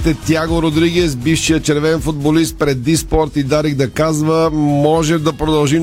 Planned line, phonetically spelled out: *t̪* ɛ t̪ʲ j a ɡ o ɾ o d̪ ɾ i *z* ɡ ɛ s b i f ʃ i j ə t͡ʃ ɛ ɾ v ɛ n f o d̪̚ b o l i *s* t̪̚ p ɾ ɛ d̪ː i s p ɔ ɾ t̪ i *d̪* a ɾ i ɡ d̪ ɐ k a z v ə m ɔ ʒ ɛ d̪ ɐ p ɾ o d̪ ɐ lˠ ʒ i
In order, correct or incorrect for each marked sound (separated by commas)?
correct, incorrect, correct, correct